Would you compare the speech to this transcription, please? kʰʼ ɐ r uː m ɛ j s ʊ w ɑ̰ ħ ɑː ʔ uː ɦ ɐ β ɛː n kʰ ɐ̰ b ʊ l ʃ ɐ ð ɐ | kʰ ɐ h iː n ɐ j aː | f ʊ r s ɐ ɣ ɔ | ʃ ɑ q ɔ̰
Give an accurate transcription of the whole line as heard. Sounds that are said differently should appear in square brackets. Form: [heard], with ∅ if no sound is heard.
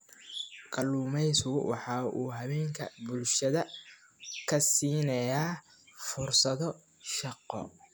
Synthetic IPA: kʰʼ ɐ [l] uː m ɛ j s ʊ w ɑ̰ ħ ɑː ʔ uː ɦ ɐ β ɛː [ŋ] kʰ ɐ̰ b ʊ l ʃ ɐ ð ɐ | kʰ ɐ [s] iː n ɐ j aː | f ʊ r s ɐ [ð] ɔ | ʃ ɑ q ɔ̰